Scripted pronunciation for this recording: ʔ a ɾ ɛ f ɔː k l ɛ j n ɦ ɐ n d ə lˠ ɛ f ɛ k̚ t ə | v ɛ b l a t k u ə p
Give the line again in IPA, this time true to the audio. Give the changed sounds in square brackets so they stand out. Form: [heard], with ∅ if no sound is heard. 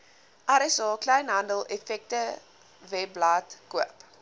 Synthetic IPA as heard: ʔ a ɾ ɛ [s] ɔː k l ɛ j n ɦ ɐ n d ə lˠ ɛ f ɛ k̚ t ə | v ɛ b l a t k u ə p